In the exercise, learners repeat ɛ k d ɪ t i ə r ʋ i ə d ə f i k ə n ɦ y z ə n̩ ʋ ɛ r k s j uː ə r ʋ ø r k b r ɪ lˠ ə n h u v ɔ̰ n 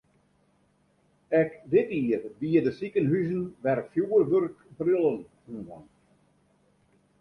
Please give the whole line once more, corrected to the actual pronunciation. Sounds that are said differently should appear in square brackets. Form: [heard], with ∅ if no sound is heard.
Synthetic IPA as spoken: ɛ k d ɪ t i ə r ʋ i ə d ə [s] i k ə n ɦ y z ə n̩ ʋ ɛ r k [f] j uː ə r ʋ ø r k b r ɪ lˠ ə n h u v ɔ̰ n